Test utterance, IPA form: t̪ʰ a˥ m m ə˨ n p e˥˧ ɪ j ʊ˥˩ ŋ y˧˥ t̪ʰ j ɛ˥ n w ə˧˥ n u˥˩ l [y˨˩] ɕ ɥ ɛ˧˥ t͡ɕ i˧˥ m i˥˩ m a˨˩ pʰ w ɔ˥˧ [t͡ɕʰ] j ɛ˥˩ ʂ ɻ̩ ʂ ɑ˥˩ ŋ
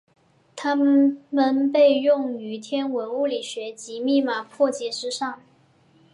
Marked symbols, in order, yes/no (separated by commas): no, no